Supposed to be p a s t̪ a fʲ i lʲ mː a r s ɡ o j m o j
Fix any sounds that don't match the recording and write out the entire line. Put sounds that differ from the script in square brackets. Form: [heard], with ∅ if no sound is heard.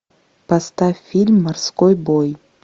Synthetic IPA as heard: p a s t̪ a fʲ i lʲ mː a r s [k] o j [b] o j